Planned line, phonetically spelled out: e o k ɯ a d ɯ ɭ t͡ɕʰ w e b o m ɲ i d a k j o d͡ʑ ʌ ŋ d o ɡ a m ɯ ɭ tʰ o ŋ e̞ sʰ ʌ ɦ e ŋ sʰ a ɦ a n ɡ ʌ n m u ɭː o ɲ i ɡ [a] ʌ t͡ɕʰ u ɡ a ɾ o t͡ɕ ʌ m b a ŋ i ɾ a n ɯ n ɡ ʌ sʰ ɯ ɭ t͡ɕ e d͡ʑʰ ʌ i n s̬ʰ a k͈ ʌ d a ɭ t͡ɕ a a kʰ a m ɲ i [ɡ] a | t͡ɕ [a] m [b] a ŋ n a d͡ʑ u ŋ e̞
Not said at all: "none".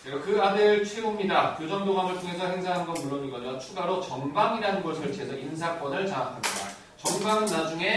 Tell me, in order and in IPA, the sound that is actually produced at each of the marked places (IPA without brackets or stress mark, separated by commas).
ʌ, d, ʌ, b